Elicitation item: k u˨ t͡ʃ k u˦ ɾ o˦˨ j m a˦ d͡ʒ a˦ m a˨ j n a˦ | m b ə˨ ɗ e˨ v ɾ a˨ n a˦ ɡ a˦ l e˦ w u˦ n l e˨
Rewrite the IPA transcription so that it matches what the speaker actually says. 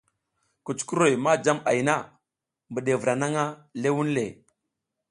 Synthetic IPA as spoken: k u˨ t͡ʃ k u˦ ɾ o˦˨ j m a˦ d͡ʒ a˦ m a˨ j n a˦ | m b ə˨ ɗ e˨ v ɾ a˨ n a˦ ŋ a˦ l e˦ w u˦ n l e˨